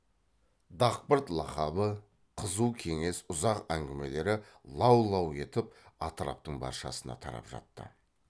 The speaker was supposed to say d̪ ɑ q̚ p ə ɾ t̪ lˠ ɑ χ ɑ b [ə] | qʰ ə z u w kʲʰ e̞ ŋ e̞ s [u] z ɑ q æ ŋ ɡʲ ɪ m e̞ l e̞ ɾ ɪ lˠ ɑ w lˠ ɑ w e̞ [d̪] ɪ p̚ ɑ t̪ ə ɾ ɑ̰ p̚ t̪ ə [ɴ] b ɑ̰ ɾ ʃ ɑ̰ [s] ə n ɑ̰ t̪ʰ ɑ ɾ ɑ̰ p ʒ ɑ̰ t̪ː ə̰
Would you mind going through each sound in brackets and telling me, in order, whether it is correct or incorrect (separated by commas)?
correct, incorrect, incorrect, correct, correct